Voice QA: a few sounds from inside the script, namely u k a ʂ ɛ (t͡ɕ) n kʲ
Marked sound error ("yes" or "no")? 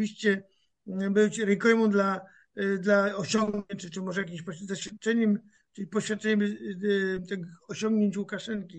yes